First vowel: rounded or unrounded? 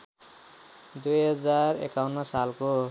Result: rounded